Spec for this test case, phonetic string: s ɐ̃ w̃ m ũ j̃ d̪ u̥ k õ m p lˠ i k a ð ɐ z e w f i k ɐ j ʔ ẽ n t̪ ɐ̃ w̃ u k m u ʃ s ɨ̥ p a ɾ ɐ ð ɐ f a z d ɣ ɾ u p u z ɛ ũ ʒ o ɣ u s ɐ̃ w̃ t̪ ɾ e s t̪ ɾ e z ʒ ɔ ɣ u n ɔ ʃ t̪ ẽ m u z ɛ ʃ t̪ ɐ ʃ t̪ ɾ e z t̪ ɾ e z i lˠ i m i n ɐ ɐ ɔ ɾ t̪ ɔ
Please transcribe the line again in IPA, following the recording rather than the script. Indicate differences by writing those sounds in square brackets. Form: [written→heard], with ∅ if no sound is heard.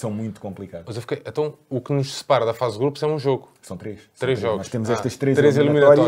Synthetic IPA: s ɐ̃ w̃ m ũ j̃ [d̪→t̪] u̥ k õ m p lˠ i k a ð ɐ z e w f i k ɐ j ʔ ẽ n t̪ ɐ̃ w̃ u k [m→n] u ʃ s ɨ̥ p a ɾ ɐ ð ɐ f a z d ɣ ɾ u p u z ɛ ũ ʒ o ɣ u s ɐ̃ w̃ t̪ ɾ e [s→ʃ] t̪ ɾ e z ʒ ɔ ɣ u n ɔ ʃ t̪ [ẽ→e] m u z ɛ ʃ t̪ ɐ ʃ t̪ ɾ e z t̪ ɾ e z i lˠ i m i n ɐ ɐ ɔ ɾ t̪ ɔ